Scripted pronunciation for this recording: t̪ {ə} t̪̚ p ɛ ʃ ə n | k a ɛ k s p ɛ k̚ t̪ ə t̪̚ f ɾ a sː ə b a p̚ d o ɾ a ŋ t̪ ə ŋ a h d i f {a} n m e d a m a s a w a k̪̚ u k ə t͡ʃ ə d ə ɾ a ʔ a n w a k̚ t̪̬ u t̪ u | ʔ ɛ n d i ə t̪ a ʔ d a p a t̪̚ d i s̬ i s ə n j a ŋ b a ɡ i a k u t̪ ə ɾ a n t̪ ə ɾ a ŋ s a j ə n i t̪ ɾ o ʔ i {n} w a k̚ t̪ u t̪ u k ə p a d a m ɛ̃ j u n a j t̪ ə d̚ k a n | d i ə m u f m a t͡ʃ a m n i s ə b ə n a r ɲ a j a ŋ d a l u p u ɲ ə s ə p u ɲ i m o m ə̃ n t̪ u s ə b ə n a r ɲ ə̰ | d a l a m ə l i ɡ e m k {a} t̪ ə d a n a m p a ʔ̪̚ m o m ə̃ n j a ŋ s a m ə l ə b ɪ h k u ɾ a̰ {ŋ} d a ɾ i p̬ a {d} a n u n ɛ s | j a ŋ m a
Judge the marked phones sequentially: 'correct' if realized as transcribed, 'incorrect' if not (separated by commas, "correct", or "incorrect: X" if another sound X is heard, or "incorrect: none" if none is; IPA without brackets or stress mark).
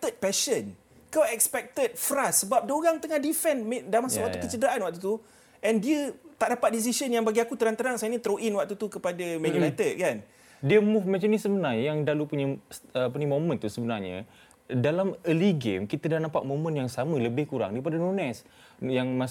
correct, incorrect: ɛ, correct, incorrect: i, correct, correct